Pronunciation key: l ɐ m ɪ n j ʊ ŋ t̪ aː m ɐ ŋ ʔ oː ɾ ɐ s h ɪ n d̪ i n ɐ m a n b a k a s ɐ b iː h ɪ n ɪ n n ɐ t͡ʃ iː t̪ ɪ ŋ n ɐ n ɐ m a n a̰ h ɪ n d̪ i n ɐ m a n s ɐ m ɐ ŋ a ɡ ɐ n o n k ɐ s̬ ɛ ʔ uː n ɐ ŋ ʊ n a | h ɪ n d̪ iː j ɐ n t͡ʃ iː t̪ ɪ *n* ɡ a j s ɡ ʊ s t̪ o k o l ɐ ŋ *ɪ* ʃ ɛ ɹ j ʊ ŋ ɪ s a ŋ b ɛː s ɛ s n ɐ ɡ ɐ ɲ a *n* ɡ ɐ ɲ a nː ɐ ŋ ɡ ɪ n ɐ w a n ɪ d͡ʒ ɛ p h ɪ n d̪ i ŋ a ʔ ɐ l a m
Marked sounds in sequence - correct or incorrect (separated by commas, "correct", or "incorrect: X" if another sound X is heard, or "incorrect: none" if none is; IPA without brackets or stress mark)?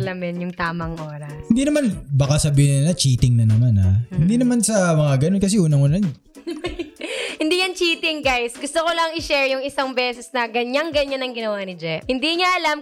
incorrect: ŋ, correct, incorrect: ŋ